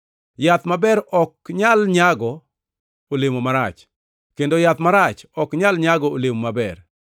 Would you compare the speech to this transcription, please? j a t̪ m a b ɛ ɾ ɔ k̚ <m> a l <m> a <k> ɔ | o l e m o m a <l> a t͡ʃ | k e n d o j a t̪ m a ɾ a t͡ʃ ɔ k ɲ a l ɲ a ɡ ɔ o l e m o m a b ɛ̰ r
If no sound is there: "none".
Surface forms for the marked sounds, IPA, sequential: ɲ, ɲ, ɡ, ɾ

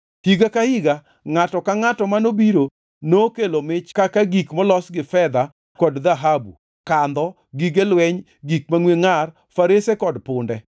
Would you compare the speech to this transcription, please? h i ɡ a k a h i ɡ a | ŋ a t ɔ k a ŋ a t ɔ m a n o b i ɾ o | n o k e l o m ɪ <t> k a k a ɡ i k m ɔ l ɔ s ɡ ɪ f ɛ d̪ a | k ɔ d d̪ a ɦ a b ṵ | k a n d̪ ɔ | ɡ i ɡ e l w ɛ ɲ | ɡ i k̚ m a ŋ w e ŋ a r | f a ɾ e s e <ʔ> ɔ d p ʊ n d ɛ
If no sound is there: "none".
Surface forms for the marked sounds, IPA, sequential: t͡ʃ, k

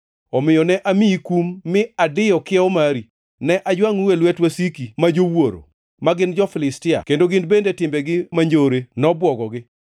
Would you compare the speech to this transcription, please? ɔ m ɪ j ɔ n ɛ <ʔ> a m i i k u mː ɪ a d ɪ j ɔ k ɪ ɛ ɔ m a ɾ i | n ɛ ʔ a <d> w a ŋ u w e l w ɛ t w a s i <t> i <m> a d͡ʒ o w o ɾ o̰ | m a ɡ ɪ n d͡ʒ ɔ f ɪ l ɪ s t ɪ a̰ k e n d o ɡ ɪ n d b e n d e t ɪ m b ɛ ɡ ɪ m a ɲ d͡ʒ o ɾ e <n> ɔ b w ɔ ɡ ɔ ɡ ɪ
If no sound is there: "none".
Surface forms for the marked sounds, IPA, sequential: ʔ, d͡ʒ, k, m, n

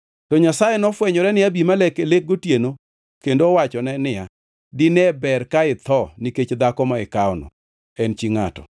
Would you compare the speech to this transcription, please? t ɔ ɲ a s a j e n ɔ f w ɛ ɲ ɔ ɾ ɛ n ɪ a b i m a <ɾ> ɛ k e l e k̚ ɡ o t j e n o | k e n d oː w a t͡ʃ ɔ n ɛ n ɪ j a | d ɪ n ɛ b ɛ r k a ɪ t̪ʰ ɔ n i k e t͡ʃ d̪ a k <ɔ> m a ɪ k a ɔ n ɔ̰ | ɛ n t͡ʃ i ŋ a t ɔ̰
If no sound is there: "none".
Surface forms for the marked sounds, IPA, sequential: l, ɔ

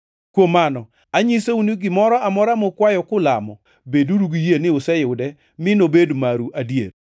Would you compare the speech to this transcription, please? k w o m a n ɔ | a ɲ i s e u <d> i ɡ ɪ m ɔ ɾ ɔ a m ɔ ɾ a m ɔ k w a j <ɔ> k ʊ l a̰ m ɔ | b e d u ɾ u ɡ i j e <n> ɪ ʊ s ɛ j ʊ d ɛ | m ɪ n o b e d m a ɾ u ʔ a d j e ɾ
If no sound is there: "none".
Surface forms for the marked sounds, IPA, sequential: n, ɔ, n

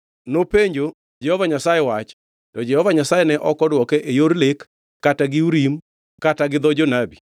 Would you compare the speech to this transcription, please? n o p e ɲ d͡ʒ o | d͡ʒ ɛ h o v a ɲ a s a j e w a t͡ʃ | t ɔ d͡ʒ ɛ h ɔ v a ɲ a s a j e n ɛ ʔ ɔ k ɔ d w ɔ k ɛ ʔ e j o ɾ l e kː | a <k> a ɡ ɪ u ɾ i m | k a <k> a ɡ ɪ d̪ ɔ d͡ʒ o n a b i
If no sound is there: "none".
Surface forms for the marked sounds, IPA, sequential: t, t

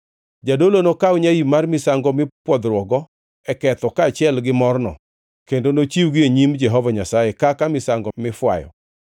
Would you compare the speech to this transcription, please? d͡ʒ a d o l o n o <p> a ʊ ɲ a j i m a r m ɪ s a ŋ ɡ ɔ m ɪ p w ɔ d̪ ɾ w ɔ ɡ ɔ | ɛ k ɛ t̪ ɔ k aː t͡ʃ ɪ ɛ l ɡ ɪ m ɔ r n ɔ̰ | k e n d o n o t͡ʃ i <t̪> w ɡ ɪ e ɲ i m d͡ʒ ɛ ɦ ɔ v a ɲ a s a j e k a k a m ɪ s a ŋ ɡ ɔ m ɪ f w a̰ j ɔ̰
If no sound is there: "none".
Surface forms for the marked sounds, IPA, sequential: k, none

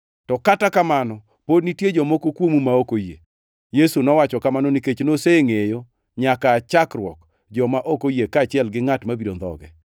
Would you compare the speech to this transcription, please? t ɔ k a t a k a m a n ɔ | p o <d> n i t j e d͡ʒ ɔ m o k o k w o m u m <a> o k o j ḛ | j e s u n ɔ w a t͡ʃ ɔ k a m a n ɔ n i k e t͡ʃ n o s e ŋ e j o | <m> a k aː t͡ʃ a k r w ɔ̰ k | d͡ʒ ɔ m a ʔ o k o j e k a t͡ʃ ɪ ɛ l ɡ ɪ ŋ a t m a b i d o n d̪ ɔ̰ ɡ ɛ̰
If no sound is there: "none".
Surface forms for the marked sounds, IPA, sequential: d, a, ɲ

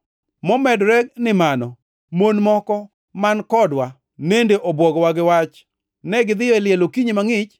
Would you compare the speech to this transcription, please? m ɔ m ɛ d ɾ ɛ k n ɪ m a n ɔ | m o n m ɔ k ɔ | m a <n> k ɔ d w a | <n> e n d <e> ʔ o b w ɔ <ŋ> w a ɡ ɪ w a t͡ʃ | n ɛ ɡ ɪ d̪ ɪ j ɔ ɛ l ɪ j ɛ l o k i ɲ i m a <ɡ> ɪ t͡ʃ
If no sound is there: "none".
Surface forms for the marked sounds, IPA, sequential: n, n, e, ɡ, ŋ

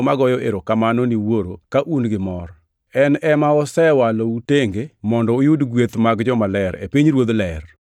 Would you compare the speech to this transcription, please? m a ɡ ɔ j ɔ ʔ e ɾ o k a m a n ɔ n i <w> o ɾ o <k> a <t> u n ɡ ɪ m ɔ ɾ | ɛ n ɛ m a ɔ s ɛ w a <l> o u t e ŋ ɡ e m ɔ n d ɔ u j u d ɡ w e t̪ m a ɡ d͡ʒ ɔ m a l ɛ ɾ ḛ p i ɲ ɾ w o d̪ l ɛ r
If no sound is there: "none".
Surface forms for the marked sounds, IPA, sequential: w, k, ʔ, l

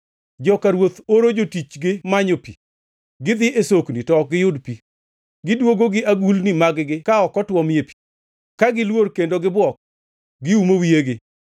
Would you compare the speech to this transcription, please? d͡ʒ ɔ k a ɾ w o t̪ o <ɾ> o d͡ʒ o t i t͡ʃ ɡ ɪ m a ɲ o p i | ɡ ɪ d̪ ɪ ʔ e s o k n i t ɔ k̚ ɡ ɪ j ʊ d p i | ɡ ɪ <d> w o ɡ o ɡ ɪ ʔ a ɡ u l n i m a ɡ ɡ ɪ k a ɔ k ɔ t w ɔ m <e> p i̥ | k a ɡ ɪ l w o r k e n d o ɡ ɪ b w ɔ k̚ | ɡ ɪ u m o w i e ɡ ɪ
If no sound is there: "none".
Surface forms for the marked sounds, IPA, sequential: ɾ, d, e

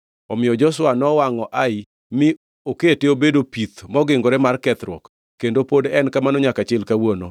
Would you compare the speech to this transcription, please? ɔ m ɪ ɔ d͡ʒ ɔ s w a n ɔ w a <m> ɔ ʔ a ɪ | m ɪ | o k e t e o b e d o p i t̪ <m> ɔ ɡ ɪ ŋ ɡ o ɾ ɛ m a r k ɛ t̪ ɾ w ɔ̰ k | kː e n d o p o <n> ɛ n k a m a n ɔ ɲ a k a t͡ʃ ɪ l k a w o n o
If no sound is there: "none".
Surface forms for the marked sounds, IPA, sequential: ŋ, m, d

